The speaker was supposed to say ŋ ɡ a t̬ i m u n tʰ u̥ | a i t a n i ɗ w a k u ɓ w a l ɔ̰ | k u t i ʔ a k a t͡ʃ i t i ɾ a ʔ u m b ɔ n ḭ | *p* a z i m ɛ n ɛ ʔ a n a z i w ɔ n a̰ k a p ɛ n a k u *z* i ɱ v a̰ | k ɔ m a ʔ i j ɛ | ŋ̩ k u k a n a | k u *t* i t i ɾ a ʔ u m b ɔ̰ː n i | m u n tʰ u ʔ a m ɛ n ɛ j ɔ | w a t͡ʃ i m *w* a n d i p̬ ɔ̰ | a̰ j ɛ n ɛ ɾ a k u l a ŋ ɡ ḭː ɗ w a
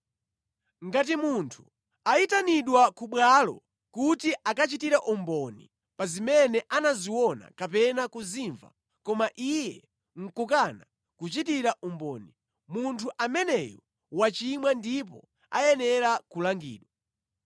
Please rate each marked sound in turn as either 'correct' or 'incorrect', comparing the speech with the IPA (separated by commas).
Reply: correct, correct, incorrect, correct